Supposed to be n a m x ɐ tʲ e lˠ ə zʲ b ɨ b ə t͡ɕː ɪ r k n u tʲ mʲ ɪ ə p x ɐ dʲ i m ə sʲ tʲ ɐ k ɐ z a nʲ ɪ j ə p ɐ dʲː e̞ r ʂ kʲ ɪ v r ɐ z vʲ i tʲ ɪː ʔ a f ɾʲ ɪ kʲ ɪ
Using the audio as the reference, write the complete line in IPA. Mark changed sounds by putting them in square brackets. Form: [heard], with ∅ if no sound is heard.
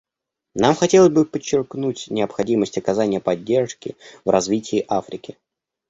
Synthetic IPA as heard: n a m x ɐ tʲ e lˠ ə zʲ b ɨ [p] ə t͡ɕː ɪ r k n u tʲ [nʲ] ɪ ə p x ɐ dʲ i m ə sʲ tʲ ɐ k ɐ z a nʲ ɪ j ə p ɐ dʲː e̞ r ʂ kʲ ɪ v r ɐ z vʲ i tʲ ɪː ʔ a f ɾʲ ɪ kʲ ɪ

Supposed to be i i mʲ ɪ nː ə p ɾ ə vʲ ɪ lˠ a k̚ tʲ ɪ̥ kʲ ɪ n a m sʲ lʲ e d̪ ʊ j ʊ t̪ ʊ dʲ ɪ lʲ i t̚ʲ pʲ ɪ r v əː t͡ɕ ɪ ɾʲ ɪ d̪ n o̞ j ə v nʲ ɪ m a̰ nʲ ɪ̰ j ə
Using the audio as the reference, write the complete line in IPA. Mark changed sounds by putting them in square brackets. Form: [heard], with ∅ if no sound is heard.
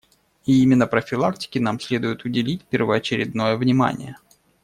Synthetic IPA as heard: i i mʲ ɪ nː ə p ɾ ə [fʲ] ɪ lˠ a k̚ tʲ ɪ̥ kʲ ɪ n a m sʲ lʲ e d̪ ʊ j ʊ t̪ ʊ dʲ ɪ lʲ i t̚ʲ pʲ ɪ r v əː t͡ɕ ɪ ɾʲ ɪ d̪ n o̞ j ə v nʲ ɪ m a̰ nʲ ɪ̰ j ə

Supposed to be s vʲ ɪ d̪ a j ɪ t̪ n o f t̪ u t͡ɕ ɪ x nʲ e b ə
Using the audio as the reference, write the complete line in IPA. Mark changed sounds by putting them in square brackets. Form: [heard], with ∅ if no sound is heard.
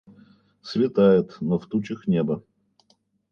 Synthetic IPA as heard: s vʲ ɪ [t̪] a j ɪ t̪ n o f t̪ u t͡ɕ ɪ x nʲ e b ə

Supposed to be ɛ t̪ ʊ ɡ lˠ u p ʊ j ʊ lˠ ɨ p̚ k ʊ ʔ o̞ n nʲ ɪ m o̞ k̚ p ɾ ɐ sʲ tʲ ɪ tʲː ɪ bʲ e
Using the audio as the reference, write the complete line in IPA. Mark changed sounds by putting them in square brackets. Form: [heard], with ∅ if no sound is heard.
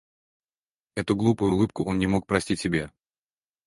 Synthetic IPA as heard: ɛ t̪ ʊ ɡ lˠ u p ʊ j ʊ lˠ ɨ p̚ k ʊ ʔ o̞ n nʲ ɪ m o̞ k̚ p ɾ ɐ sʲ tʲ [i] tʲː ɪ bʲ e

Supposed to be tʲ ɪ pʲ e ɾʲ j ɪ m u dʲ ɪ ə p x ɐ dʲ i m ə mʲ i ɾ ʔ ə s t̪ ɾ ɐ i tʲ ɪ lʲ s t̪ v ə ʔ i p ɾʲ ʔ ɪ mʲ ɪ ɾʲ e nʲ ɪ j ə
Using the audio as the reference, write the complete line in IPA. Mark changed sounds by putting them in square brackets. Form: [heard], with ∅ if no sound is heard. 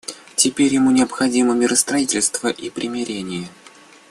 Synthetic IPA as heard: tʲ ɪ pʲ e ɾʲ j ɪ m u [nʲ] ɪ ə p x ɐ dʲ i m ə mʲ [ɪ] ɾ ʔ ə s t̪ ɾ ɐ i tʲ ɪ lʲ s t̪ v ə ʔ i p ɾʲ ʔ ɪ mʲ ɪ ɾʲ e nʲ ɪ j ə

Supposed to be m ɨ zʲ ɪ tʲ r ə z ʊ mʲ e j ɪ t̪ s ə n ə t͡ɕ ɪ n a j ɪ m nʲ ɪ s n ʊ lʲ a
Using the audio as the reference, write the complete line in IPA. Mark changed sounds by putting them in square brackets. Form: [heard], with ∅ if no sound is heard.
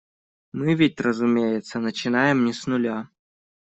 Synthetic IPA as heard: m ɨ [vʲ] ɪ tʲ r ə z ʊ mʲ e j ɪ t̪ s ə n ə t͡ɕ ɪ n a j ɪ m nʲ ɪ s n ʊ lʲ a

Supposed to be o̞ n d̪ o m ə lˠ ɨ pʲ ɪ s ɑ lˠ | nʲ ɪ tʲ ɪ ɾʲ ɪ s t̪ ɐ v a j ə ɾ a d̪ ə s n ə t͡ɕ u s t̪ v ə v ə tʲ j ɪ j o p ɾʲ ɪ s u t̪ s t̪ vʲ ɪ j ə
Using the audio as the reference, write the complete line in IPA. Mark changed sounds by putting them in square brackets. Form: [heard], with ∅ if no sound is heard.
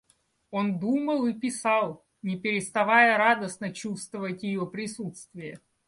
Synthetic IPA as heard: o̞ n d̪ [u] m ə lˠ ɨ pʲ ɪ s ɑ lˠ | nʲ ɪ [pʲ] ɪ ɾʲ ɪ s t̪ ɐ v a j ə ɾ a d̪ ə s n ə t͡ɕ u s t̪ v ə v ə tʲ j ɪ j o p ɾʲ ɪ s u t̪ s t̪ vʲ ɪ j ə

